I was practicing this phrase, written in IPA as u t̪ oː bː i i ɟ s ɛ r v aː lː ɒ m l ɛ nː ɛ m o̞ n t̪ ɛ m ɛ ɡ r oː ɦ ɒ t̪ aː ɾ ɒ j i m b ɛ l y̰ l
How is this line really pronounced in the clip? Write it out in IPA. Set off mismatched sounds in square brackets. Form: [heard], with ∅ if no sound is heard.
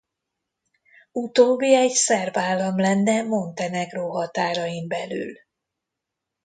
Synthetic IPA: u t̪ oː bː i [ɛ] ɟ s ɛ r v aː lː ɒ m l ɛ nː ɛ m o̞ n t̪ ɛ [n] ɛ ɡ r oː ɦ ɒ t̪ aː ɾ ɒ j i m b ɛ l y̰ l